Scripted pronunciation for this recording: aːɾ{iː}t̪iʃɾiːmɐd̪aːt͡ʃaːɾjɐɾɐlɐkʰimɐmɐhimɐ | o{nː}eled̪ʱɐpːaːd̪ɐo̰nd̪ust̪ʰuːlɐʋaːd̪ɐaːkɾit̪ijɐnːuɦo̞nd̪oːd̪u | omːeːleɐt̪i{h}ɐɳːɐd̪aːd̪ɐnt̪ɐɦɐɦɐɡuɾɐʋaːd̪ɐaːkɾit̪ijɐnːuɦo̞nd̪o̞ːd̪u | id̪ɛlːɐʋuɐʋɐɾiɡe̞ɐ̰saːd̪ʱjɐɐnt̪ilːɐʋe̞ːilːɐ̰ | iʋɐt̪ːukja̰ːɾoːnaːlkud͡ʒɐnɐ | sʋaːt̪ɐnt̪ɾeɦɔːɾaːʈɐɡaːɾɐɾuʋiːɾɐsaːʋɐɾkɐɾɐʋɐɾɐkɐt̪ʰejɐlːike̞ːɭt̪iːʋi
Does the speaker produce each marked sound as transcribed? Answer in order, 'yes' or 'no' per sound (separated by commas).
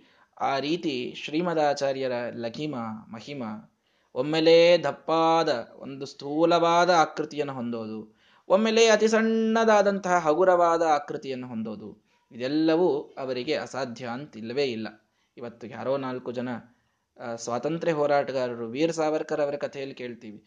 yes, no, no